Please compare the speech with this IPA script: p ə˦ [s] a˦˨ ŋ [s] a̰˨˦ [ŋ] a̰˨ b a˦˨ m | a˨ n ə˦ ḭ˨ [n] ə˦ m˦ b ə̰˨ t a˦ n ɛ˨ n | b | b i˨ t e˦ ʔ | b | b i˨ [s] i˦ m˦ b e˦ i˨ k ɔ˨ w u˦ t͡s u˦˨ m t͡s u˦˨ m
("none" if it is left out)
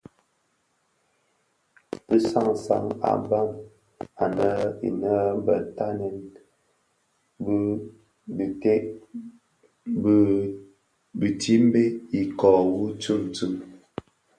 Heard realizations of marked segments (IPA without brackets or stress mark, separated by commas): s, s, ŋ, n, t